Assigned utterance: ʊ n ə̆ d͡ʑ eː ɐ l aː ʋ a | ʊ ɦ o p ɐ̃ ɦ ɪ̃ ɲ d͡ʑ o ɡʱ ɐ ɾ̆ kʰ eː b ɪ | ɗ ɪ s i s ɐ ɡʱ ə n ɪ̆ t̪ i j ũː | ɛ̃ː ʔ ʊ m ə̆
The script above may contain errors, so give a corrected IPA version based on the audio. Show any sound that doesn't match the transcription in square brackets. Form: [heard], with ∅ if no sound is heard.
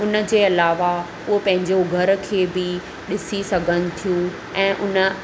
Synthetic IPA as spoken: ʊ n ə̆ d͡ʑ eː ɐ l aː ʋ a | ʊ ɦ o p ɐ̃ ɦ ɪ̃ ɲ d͡ʑ o ɡʱ ɐ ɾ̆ kʰ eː b ɪ | ɗ ɪ s i s ɐ ɡʱ ə n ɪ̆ [t̪ʰ] i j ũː | ɛ̃ː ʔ ʊ [n] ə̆